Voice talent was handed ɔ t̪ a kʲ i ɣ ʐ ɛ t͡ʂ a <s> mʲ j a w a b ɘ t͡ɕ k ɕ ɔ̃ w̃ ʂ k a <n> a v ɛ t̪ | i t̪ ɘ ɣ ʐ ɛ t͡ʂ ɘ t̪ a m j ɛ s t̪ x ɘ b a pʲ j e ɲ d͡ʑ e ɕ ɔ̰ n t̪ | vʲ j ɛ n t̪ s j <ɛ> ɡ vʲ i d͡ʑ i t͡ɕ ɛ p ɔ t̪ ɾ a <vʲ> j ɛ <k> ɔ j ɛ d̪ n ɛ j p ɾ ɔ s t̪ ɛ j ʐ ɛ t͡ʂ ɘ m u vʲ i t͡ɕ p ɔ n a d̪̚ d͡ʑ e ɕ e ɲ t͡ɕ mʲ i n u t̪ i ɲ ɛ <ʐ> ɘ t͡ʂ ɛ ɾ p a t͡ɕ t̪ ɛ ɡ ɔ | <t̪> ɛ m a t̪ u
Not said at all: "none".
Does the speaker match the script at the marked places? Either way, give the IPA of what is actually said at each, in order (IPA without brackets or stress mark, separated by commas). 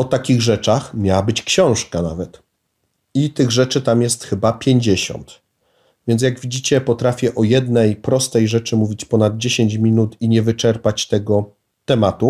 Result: x, n, a, fʲ, ʔ, v, t̪